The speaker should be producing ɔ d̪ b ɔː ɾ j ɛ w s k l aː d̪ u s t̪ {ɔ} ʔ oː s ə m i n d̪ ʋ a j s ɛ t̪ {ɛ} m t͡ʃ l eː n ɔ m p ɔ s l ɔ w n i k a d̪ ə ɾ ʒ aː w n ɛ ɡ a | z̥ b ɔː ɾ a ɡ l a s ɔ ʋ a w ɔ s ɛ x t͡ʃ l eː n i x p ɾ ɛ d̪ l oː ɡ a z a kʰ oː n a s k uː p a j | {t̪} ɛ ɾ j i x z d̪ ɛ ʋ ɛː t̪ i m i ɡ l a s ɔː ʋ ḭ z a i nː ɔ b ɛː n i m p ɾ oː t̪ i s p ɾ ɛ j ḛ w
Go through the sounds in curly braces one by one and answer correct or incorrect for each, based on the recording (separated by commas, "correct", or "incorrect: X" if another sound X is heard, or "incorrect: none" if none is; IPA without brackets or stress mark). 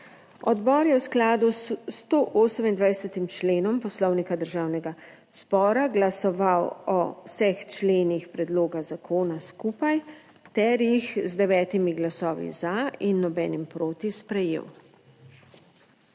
incorrect: o, incorrect: i, correct